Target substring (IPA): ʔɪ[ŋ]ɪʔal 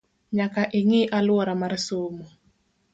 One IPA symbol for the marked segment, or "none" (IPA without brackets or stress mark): ŋ